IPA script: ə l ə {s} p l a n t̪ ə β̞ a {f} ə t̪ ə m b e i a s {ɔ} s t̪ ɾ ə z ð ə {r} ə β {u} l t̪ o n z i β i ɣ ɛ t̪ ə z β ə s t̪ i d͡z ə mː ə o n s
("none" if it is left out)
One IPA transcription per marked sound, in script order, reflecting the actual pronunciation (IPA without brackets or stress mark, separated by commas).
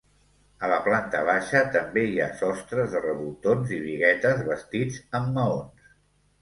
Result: none, ʃ, ɔ, r, u